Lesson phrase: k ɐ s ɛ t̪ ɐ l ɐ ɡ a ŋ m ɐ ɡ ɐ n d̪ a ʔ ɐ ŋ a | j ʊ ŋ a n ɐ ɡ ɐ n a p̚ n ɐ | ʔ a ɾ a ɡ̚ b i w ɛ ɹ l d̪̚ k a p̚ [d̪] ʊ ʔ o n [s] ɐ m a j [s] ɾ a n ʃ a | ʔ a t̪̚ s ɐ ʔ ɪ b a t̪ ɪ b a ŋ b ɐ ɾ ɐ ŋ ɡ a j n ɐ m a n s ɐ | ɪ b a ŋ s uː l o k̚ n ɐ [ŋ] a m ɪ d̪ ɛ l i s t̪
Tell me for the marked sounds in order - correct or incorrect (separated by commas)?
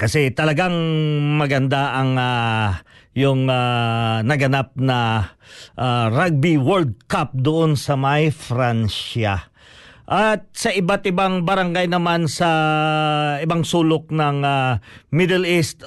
correct, correct, incorrect, correct